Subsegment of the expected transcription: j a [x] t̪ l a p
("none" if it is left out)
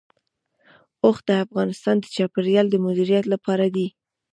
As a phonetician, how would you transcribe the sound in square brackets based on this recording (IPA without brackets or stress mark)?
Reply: none